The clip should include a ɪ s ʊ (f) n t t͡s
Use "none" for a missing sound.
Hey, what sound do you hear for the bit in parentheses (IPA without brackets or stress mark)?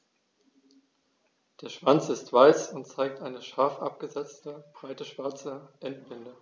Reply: none